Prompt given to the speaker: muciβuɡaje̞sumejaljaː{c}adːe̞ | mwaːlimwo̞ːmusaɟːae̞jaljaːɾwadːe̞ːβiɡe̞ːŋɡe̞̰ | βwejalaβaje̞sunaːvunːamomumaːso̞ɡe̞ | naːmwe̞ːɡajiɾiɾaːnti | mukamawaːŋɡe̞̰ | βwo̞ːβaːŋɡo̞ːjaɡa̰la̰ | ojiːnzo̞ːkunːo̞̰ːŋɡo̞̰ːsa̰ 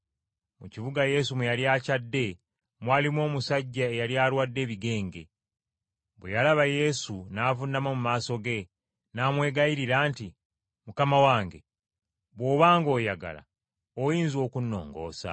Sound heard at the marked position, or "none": c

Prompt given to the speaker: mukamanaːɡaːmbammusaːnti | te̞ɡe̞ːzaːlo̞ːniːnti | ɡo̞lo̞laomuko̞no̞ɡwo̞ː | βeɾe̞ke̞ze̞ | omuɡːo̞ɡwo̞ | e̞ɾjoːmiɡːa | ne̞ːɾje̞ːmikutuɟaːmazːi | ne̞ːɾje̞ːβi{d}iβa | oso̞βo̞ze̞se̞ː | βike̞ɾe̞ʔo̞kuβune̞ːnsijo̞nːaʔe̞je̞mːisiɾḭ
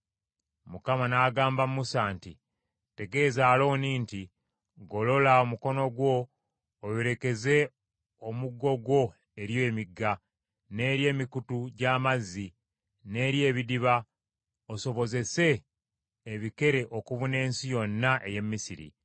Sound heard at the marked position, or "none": d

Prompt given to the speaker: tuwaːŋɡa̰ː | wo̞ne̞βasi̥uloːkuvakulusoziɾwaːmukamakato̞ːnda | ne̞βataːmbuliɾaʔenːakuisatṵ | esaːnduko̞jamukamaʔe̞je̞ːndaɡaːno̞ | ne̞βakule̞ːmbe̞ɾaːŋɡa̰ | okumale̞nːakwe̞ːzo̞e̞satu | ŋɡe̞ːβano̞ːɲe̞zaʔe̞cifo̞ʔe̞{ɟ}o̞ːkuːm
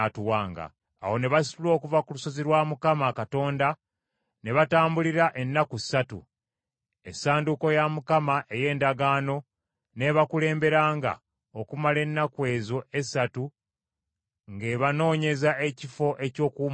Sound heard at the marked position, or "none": c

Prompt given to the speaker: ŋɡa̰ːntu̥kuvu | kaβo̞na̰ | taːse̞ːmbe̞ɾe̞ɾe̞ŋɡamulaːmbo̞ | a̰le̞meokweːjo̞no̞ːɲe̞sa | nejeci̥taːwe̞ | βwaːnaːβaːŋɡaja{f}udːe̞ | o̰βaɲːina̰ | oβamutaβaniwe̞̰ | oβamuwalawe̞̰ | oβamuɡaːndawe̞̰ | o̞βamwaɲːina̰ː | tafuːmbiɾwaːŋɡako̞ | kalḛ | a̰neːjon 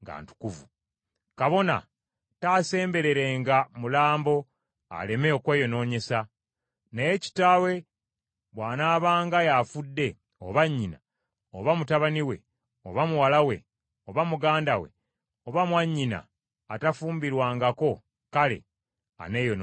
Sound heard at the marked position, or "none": f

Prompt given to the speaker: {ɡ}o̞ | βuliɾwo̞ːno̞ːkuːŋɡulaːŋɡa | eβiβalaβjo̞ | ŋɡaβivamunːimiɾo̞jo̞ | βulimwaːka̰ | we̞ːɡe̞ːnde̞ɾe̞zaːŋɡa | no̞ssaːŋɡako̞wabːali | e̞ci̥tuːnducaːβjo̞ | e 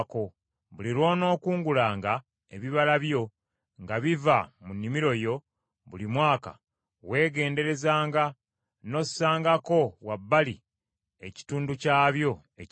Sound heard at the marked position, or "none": k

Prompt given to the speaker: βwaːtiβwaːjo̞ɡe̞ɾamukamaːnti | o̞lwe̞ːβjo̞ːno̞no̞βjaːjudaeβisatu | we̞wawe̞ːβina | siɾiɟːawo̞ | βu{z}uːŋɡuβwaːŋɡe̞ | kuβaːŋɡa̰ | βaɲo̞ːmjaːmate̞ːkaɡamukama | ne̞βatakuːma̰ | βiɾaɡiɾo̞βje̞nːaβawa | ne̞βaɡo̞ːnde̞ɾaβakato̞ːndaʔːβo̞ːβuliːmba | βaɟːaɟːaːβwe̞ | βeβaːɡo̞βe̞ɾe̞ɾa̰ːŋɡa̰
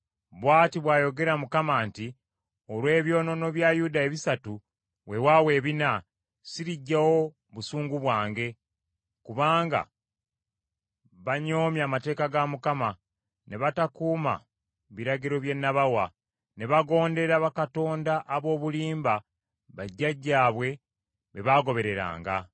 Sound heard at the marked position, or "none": s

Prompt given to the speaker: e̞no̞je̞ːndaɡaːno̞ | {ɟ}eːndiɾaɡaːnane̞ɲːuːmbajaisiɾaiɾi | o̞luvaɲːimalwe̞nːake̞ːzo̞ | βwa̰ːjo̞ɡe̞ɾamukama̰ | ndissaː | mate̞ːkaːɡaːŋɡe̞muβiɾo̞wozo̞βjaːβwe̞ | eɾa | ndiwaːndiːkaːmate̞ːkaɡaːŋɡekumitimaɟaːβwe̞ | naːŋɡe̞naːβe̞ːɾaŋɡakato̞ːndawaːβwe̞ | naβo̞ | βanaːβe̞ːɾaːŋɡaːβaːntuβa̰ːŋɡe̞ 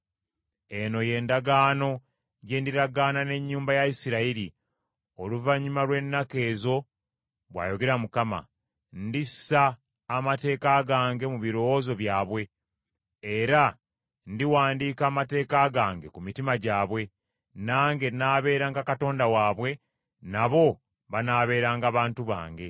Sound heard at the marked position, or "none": ɟ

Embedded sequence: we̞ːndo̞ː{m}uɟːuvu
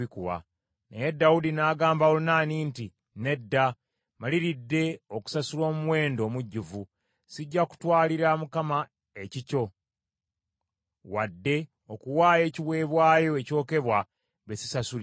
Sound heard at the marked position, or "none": m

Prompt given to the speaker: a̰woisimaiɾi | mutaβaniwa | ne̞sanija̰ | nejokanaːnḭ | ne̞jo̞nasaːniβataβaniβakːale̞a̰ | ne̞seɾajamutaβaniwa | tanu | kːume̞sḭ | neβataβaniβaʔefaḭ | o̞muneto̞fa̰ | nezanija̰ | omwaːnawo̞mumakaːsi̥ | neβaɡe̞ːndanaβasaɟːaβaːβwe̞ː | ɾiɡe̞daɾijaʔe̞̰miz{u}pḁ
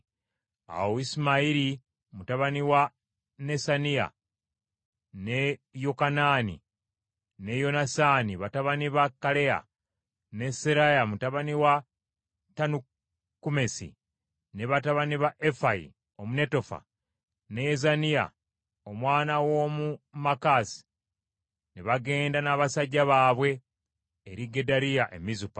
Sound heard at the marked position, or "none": u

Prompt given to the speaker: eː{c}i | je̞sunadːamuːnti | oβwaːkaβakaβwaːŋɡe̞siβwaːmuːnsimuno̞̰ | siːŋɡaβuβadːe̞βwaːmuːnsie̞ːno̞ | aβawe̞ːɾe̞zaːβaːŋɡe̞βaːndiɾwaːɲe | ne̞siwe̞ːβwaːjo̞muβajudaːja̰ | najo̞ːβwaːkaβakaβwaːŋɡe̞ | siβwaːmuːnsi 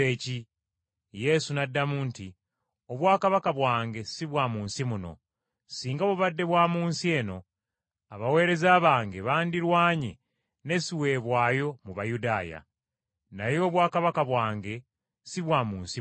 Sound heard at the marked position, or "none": c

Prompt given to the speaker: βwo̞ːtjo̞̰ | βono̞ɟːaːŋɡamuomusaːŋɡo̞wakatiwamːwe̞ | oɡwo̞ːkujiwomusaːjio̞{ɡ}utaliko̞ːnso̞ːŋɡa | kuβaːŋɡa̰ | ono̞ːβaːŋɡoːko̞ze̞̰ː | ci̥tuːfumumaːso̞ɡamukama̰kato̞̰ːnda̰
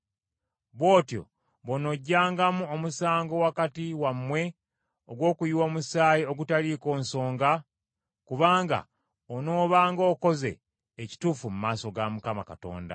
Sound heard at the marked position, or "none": ɡ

